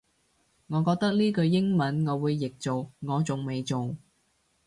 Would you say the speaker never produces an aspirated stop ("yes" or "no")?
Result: yes